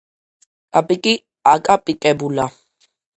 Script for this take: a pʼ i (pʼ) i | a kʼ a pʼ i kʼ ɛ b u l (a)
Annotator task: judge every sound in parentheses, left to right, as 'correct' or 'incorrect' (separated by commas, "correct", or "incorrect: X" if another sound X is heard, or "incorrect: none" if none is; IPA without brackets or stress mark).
incorrect: kʼ, correct